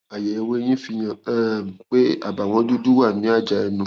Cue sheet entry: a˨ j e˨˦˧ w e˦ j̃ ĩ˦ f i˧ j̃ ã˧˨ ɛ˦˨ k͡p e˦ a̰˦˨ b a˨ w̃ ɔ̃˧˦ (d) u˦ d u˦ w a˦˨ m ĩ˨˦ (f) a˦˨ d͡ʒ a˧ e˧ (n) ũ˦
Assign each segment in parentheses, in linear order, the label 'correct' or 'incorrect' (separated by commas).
correct, incorrect, correct